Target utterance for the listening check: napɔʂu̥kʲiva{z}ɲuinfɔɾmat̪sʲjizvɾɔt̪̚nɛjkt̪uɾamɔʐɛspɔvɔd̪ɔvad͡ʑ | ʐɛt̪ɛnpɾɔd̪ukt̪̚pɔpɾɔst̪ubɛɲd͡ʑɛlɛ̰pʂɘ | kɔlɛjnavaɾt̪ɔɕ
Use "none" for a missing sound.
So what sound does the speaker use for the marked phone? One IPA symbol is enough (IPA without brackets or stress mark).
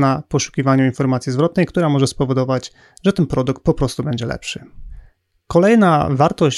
none